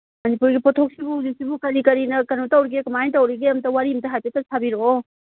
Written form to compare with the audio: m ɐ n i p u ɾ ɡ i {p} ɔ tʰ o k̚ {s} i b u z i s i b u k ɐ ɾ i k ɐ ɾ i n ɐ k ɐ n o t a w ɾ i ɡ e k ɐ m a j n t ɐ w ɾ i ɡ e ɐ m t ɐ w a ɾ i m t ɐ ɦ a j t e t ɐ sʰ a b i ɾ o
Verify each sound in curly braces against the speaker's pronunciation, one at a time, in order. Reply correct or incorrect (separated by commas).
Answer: correct, correct